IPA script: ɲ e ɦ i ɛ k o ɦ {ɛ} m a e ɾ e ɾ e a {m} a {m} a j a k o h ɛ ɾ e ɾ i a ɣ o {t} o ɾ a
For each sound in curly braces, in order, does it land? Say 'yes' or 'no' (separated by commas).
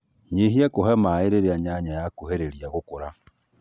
yes, no, no, no